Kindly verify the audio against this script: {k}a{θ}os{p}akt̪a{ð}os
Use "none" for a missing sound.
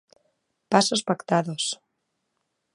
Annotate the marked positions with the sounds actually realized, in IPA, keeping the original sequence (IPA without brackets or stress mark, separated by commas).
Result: p, s, p, ð